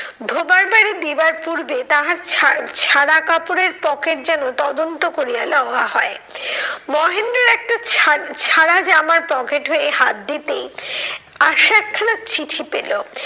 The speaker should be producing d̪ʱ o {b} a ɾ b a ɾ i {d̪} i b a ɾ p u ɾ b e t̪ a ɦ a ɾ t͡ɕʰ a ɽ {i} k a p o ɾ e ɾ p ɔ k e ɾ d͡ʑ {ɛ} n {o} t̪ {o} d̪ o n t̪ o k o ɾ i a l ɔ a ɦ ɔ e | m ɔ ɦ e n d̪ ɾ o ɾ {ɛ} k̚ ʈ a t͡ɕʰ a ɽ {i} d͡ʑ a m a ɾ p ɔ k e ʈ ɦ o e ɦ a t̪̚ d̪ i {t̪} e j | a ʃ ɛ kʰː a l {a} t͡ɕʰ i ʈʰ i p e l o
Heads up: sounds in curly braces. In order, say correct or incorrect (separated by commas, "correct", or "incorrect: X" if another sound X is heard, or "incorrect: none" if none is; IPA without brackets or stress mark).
correct, correct, incorrect: a, correct, correct, incorrect: ɔ, correct, incorrect: a, correct, correct